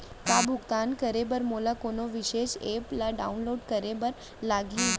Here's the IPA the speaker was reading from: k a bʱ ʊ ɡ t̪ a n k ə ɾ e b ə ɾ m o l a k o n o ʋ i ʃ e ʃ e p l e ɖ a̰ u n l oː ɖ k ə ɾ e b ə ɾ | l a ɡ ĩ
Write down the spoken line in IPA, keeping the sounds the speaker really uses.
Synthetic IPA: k a bʱ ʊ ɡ t̪ a n k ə ɾ e b ə ɾ m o l a k o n o ʋ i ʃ e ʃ e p l a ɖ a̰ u n l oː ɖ k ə ɾ e b ə ɾ | l a ɡ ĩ